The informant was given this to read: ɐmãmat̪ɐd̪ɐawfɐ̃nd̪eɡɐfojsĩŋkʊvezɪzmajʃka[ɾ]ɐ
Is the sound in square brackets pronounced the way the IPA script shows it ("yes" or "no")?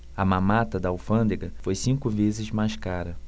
yes